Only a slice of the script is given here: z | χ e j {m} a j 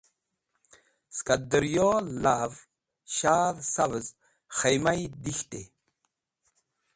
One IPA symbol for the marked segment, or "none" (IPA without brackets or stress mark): m